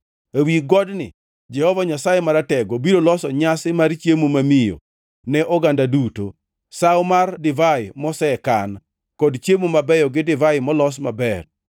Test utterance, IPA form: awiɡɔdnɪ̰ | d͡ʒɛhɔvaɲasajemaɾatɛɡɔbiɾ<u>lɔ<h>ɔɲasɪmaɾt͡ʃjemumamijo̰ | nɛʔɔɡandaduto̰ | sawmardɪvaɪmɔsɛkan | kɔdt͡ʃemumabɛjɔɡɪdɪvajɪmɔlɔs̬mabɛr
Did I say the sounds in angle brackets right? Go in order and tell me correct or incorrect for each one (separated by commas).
incorrect, incorrect